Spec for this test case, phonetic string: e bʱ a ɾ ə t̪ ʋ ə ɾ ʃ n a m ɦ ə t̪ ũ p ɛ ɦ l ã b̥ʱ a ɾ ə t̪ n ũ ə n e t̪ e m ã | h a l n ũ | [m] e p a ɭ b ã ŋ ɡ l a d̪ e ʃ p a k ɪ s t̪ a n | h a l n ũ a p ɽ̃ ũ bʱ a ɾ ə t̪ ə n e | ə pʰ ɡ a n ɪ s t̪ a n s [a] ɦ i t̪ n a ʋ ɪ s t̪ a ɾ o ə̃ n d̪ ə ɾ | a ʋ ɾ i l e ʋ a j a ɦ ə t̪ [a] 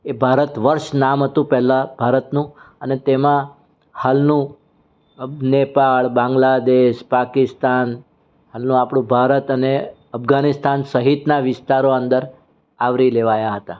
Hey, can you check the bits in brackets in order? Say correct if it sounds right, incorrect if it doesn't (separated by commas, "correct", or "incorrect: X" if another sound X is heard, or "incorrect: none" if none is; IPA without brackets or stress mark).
incorrect: n, incorrect: ə, correct